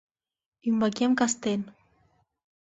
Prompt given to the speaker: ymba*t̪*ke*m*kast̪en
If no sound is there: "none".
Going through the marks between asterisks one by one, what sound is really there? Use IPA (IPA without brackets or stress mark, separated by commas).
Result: none, m